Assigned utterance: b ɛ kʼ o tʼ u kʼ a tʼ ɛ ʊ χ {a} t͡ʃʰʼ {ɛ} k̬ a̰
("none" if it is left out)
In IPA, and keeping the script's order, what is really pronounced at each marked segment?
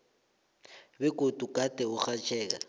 a, ɛː

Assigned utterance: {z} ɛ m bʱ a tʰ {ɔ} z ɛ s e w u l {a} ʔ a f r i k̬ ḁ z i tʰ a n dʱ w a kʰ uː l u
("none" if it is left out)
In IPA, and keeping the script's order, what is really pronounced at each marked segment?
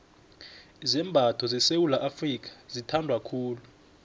z, ɔ, a

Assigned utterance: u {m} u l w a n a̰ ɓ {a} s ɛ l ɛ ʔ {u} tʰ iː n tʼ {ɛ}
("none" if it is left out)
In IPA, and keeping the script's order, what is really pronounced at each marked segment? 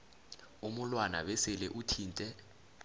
m, ɛ, u, ɛ

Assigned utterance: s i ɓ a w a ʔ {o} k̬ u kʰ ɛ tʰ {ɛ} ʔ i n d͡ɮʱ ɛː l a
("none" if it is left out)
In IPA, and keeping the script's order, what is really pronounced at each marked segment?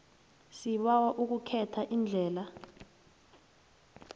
u, a

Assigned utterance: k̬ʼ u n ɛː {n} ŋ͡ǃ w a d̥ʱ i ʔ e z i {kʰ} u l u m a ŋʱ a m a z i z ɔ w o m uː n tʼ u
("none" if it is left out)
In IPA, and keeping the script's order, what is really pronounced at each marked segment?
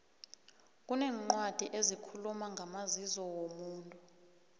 none, kʰ

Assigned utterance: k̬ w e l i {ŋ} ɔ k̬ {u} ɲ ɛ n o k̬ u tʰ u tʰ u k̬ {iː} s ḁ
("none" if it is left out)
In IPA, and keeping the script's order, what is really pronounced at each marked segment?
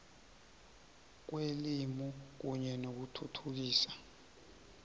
m, u, iː

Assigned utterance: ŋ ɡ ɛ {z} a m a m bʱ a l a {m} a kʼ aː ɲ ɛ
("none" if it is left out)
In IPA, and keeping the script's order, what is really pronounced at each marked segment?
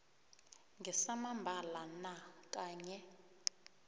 s, n

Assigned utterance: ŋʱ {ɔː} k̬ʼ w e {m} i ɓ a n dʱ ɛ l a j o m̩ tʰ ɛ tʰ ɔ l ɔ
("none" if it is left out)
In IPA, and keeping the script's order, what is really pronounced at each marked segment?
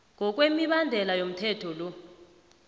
ɔ, m

